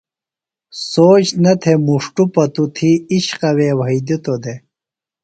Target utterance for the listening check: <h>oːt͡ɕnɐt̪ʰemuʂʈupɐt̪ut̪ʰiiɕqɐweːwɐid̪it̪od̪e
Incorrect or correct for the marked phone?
incorrect: s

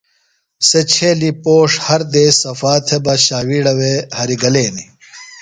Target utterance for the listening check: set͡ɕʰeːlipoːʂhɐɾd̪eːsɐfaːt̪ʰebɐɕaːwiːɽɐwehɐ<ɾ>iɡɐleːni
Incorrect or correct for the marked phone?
correct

